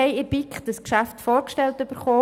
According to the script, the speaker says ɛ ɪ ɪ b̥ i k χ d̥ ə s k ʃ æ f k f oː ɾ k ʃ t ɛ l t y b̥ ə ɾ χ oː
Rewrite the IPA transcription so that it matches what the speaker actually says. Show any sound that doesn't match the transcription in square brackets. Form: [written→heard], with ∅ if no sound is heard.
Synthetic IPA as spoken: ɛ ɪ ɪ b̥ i k χ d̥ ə s k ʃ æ f [k→t] f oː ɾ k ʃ t ɛ l t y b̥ ə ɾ χ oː

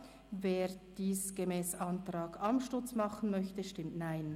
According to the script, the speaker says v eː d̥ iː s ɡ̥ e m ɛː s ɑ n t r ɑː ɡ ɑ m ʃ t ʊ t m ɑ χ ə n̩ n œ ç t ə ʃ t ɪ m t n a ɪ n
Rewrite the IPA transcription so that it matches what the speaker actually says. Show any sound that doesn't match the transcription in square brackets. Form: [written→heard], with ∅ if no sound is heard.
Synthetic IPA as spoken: v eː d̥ iː s ɡ̥ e m ɛː s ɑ n t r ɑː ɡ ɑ m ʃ t ʊ [t→t͡s] m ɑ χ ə n̩ [n→m] œ ç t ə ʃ t ɪ m t n a ɪ n

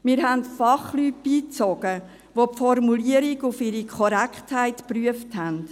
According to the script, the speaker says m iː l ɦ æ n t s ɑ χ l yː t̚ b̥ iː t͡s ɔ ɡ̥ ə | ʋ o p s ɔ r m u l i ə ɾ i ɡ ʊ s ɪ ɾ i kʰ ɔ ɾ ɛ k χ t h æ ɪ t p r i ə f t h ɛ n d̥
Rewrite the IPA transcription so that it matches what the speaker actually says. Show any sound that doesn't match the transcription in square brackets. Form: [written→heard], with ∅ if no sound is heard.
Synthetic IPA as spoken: m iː [l→ɾ] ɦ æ n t [s→f] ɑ χ l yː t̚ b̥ iː t͡s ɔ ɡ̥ ə | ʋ o p [s→f] ɔ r m u l i ə ɾ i ɡ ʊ [s→f] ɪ ɾ i kʰ ɔ ɾ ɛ k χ t h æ ɪ t p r [i→y] ə f t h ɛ n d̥

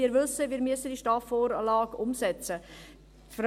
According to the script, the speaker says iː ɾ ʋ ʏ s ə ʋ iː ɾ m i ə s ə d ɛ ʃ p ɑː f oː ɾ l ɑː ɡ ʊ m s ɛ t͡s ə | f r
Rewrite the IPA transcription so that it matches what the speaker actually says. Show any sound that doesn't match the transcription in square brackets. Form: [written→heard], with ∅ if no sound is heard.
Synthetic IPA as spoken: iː ɾ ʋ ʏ s ə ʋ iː ɾ m [i→y] ə s ə d [ɛ→i] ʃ [p→t] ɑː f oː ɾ l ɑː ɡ ʊ m s ɛ t͡s ə | f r

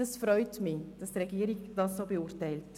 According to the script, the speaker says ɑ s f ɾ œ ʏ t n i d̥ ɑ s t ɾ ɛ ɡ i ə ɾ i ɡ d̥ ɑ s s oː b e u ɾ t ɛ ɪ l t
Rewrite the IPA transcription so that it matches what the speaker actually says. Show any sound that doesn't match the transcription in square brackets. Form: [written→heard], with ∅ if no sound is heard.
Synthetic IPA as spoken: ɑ s f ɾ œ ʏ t [n→m] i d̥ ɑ s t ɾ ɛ ɡ i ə ɾ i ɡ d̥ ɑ s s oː b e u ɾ t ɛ ɪ l t

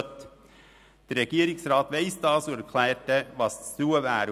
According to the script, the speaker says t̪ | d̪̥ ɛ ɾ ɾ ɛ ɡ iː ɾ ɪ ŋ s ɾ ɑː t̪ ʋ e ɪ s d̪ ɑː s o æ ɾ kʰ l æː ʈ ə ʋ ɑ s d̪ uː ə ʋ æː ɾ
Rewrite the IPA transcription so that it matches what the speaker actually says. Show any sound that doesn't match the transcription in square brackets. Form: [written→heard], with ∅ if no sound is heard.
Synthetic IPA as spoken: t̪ | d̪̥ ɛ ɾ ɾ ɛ ɡ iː ɾ ɪ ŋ s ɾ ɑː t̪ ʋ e ɪ s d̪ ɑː s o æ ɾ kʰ l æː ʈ ə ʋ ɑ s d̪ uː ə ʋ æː ɾ

